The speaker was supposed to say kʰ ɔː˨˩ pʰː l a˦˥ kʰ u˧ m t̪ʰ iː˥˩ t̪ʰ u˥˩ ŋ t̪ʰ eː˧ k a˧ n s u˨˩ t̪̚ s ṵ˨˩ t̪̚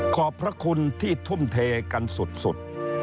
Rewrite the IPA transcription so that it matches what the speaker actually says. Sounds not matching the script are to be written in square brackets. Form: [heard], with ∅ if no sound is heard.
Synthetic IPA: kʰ ɔː˨˩ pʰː [ɾ] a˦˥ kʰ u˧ [n] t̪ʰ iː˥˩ t̪ʰ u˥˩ [m] t̪ʰ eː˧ k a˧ n s u˨˩ t̪̚ s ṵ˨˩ t̪̚